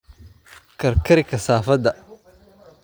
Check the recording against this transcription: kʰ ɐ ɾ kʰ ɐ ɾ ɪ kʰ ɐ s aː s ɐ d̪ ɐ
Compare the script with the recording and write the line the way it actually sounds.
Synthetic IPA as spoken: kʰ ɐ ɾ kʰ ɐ ɾ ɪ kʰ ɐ s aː f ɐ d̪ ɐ